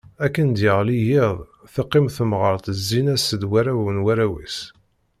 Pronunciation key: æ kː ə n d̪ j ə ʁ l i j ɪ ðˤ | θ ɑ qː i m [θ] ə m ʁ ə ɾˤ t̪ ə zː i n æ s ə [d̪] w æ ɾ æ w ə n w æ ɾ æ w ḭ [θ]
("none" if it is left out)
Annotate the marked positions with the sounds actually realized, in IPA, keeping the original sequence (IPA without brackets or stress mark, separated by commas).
θ, d̪, s